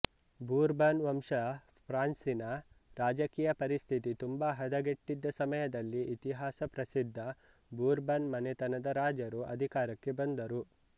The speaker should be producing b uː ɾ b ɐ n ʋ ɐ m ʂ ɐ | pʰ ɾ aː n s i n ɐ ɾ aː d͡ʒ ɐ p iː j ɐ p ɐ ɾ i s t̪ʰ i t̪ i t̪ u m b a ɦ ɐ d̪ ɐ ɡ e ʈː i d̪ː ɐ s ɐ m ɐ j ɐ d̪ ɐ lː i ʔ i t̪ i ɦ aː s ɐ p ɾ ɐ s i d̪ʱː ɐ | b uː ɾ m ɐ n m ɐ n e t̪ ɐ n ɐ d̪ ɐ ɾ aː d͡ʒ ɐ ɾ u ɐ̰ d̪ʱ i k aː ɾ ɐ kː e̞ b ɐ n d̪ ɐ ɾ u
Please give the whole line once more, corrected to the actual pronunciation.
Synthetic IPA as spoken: b uː ɾ b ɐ n ʋ ɐ m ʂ ɐ | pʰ ɾ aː n s i n ɐ ɾ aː d͡ʒ ɐ k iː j ɐ p ɐ ɾ i s t̪ʰ i t̪ i t̪ u m b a ɦ ɐ d̪ ɐ ɡ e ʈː i d̪ː ɐ s ɐ m ɐ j ɐ d̪ ɐ lː i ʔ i t̪ i ɦ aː s ɐ p ɾ ɐ s i d̪ʱː ɐ | b uː ɾ b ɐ n m ɐ n e t̪ ɐ n ɐ d̪ ɐ ɾ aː d͡ʒ ɐ ɾ u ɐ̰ d̪ʱ i k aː ɾ ɐ kː e̞ b ɐ n d̪ ɐ ɾ u